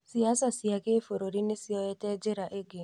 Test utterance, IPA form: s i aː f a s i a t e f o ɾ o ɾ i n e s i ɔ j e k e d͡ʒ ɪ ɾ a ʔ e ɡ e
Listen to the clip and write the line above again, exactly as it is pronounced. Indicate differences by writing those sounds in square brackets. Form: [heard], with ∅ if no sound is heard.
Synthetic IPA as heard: s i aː [s] a s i a [k] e f o ɾ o ɾ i n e s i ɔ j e [t] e d͡ʒ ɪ ɾ a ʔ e ɡ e